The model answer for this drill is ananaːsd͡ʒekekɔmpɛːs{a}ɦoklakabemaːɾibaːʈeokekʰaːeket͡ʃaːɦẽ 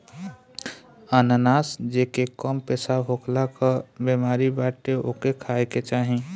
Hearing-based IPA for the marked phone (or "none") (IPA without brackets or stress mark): a